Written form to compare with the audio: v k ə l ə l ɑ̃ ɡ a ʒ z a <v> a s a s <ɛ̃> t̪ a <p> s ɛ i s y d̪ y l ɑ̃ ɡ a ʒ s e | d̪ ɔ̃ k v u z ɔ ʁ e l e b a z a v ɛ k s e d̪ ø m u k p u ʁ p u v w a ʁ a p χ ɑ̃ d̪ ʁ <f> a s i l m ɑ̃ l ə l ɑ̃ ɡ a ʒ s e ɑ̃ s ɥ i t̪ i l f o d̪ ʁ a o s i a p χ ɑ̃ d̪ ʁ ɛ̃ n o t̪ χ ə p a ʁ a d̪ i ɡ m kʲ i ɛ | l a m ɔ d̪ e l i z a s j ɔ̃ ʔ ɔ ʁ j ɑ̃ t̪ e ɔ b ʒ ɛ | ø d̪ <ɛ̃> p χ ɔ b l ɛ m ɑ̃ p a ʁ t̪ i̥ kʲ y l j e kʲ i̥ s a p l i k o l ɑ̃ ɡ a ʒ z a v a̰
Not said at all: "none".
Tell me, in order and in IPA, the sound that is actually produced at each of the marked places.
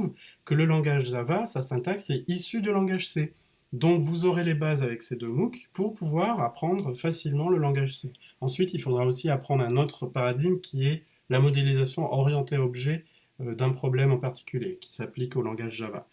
v, ɛ̃, k, f, ɛ̃

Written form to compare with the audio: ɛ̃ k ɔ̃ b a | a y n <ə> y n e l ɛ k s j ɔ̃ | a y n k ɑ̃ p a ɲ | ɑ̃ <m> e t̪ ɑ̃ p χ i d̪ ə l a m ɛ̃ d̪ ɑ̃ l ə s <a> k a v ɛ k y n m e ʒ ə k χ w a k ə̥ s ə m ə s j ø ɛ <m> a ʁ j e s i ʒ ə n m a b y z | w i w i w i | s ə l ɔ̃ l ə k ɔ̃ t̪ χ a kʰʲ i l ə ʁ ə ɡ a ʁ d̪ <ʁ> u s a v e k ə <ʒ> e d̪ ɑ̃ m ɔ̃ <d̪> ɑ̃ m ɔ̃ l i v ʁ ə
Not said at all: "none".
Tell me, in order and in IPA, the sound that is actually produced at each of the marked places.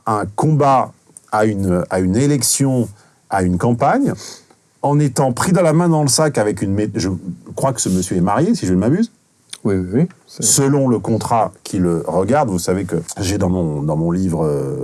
a, n, a, m, v, ʒ, d̪

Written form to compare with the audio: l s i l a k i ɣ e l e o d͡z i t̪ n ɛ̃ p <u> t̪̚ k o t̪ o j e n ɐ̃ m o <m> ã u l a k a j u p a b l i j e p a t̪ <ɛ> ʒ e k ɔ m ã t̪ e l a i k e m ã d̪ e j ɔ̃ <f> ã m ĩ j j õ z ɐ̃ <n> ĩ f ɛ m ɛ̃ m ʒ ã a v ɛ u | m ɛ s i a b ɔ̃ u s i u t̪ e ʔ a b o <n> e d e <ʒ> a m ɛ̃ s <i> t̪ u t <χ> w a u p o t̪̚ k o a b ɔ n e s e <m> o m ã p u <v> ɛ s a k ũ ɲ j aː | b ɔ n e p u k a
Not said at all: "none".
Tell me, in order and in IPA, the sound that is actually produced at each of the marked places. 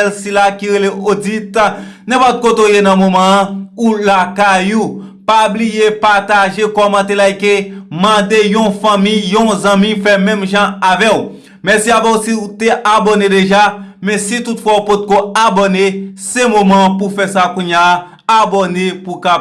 ɔ, m, a, f, m, n, ʒ, i, f, m, f

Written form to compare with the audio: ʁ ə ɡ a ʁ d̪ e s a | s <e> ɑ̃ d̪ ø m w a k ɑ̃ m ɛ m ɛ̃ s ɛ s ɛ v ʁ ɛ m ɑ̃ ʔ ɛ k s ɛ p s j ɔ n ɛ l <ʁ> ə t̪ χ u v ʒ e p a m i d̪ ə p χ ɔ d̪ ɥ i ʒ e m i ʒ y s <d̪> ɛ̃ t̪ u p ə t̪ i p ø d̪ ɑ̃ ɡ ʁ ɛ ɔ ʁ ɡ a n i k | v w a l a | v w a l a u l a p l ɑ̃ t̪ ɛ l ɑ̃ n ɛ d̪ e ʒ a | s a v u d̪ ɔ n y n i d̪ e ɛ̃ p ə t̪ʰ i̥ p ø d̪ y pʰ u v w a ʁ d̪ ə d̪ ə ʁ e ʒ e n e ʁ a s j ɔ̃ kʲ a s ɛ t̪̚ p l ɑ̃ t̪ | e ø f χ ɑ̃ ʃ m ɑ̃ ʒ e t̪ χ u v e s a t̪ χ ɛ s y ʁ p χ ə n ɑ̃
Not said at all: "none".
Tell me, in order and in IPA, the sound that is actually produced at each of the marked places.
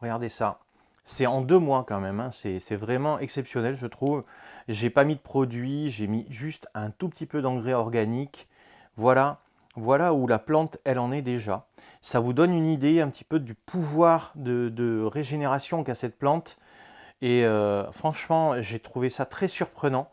ɛ, ʒ, t̪

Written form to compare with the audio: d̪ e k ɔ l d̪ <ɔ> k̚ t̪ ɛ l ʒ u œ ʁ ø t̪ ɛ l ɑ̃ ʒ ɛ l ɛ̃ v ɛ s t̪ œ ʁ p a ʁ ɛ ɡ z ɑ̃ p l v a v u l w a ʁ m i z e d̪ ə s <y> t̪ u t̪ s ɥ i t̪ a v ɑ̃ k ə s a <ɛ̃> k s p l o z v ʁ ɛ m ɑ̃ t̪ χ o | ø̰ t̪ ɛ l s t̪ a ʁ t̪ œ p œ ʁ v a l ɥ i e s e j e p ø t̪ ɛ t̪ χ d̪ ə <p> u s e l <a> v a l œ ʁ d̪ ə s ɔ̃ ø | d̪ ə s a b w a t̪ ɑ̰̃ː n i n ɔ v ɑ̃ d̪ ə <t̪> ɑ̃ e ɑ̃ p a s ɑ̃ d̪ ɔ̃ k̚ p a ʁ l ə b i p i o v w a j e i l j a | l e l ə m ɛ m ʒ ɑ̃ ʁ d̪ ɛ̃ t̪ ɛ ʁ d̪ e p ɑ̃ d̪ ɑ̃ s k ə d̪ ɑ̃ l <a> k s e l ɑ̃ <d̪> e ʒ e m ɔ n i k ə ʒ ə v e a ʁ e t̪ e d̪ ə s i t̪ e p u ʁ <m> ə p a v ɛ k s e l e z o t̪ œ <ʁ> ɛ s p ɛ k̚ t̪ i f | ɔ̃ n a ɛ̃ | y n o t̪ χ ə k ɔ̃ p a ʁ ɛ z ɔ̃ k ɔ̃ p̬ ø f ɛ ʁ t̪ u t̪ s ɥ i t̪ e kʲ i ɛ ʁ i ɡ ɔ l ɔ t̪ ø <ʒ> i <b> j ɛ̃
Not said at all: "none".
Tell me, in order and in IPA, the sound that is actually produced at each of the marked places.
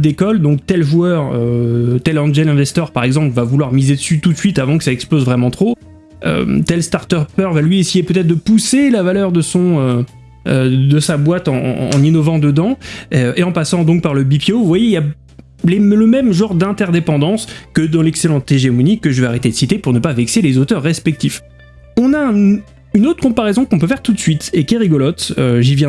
ɔ̃, y, ɛ, p, a, d̪, ɛ, t̪, n, ʁː, ʒ, v

